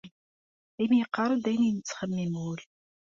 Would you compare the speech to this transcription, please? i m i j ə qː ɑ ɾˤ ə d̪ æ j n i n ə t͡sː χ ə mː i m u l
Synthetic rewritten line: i m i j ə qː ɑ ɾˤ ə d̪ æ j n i n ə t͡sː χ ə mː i m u l